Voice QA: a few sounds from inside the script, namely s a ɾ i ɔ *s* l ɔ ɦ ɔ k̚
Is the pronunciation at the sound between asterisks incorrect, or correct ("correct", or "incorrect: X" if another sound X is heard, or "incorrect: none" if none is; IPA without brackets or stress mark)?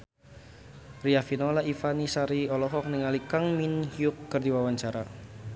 incorrect: none